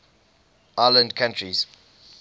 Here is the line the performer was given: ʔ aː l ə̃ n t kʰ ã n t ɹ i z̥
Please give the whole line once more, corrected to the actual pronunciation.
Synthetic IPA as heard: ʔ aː l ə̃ n d kʰ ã n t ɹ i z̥